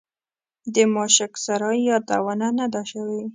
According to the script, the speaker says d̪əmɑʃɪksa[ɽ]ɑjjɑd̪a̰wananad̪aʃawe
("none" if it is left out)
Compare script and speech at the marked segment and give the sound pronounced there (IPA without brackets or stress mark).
ɾ